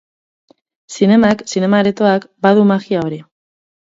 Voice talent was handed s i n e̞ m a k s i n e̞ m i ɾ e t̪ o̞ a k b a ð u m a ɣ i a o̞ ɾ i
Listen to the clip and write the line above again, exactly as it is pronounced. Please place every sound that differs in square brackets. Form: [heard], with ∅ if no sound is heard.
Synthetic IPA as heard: s i n e̞ m a k s i n e̞ m [a] ɾ e t̪ o̞ a k b a ð u m a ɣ i a o̞ ɾ i